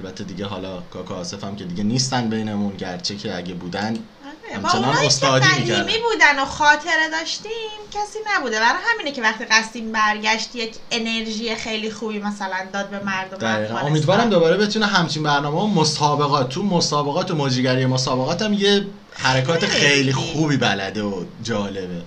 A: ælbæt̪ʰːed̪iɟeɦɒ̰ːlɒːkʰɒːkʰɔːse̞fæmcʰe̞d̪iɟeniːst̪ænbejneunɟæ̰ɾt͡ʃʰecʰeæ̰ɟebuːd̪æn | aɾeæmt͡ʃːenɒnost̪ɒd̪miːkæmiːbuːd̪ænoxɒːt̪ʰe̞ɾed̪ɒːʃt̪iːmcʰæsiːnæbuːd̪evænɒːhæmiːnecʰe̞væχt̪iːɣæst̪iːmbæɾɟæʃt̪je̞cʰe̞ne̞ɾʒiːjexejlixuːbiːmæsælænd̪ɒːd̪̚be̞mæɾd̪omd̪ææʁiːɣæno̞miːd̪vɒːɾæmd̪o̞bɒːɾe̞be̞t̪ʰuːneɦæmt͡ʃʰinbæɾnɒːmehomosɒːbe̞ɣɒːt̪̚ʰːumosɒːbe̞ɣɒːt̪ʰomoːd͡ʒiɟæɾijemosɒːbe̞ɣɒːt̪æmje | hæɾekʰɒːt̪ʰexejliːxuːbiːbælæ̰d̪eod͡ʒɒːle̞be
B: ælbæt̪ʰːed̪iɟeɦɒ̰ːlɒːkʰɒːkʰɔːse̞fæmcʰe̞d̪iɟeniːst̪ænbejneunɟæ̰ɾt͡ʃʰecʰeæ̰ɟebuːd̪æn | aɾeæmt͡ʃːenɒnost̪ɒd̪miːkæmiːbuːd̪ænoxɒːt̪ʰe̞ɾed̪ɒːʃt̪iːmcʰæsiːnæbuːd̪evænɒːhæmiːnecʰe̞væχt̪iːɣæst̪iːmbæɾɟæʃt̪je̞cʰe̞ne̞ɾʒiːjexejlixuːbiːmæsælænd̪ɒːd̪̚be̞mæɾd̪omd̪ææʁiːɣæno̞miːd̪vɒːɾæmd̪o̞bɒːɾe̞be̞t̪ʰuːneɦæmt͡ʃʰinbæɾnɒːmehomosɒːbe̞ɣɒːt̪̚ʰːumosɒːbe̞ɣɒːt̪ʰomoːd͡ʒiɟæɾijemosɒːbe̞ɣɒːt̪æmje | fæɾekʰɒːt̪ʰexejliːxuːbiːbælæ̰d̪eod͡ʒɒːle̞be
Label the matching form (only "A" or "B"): A